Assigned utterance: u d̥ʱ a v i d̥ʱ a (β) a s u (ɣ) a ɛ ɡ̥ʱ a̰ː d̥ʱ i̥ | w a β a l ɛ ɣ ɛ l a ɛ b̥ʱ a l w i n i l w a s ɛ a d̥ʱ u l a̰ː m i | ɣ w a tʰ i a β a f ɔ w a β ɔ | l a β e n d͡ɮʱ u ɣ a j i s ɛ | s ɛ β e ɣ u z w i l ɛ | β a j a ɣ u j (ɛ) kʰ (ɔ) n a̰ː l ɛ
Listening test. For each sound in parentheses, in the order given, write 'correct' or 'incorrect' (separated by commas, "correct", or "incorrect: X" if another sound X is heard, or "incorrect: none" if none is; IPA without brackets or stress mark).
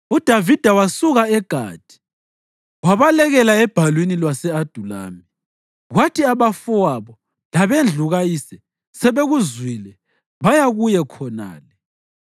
incorrect: w, correct, correct, correct